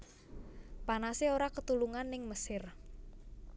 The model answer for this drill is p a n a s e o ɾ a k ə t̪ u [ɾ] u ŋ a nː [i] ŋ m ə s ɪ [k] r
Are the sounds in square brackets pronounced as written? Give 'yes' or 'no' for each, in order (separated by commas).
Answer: no, no, no